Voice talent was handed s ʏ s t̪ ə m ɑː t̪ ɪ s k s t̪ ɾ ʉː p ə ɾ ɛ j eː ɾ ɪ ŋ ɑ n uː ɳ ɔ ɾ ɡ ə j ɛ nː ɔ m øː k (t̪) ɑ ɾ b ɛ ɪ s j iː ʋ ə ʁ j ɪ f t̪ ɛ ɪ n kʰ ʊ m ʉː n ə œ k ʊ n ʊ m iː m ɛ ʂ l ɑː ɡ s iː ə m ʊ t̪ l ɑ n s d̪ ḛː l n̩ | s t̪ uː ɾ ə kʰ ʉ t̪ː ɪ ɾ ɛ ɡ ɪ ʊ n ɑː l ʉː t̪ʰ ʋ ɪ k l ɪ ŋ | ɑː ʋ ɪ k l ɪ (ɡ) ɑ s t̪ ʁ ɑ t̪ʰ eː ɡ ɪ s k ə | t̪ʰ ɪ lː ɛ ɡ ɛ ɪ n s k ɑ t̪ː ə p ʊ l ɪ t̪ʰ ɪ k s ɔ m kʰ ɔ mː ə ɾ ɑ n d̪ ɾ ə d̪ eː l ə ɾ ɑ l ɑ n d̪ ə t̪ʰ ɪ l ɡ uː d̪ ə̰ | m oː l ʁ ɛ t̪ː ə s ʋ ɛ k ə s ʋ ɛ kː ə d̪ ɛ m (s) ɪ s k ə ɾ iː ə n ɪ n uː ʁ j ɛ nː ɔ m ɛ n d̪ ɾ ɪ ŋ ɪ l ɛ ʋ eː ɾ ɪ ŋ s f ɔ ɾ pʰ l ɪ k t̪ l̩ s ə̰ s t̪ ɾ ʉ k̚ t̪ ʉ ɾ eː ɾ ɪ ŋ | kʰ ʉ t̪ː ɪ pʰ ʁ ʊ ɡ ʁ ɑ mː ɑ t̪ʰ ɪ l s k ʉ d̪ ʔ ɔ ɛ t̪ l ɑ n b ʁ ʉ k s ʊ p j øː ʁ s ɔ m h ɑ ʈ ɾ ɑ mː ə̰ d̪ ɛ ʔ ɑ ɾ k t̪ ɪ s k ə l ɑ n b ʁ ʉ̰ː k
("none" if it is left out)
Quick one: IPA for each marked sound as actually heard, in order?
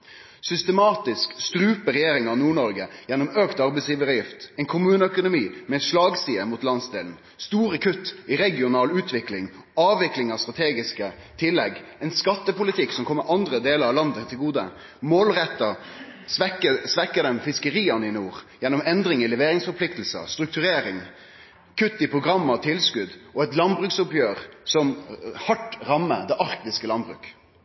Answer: t̪, ŋ, f

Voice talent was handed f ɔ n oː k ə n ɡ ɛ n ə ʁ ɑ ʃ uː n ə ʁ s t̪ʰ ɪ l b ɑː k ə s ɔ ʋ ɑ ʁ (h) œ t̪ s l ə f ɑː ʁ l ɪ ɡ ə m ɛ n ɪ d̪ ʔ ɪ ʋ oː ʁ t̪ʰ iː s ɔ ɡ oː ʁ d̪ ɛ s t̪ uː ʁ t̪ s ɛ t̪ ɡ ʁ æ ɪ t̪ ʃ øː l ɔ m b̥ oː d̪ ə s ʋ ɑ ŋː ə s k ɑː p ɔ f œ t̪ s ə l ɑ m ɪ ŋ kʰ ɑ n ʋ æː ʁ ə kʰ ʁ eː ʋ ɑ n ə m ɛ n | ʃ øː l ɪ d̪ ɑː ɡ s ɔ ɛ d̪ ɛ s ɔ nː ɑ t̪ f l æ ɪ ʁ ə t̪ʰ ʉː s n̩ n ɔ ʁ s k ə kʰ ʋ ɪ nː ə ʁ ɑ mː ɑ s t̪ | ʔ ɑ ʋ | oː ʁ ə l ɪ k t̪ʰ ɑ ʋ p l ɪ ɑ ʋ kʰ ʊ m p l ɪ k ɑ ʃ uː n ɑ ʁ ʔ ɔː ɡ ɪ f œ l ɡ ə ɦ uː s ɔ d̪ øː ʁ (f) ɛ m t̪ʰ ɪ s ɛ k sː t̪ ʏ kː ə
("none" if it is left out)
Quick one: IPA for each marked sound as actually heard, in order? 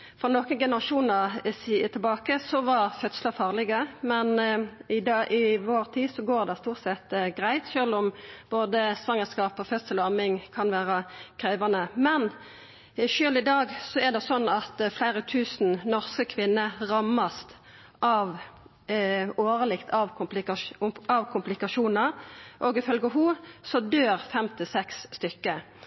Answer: f, f

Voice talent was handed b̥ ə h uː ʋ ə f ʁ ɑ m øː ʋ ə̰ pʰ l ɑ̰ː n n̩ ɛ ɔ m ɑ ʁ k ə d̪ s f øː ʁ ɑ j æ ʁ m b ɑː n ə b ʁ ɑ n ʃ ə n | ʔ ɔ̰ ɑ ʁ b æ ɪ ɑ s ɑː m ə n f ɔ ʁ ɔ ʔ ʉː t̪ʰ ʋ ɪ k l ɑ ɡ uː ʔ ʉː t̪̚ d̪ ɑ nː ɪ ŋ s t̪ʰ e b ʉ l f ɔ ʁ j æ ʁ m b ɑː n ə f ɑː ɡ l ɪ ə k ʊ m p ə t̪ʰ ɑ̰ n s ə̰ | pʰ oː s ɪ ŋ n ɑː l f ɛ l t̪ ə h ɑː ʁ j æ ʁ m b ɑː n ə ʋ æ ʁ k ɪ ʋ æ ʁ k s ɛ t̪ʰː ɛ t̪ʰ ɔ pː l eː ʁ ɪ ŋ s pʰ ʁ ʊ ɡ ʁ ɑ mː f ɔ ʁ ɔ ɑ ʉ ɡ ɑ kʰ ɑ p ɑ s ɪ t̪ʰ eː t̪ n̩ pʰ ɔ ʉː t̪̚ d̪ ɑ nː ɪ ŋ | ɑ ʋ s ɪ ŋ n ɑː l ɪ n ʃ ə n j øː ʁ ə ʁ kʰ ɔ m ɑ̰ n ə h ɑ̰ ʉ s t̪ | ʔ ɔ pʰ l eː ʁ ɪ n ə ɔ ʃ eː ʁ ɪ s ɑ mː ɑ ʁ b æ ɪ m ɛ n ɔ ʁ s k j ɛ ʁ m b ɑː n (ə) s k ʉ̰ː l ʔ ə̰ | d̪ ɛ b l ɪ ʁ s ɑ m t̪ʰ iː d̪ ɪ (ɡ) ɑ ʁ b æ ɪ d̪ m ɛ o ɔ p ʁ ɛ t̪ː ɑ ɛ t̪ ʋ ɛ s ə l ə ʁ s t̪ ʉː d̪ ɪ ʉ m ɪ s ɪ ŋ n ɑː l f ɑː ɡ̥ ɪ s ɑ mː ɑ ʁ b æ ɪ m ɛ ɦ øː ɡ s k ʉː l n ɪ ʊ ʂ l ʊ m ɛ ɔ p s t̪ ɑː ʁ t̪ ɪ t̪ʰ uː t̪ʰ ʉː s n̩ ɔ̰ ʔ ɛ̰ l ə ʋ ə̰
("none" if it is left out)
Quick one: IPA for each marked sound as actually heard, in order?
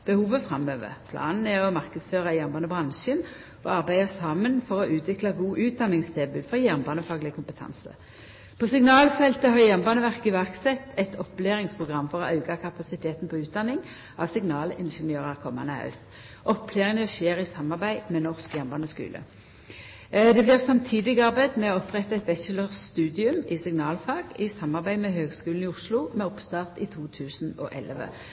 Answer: ə, ɡ

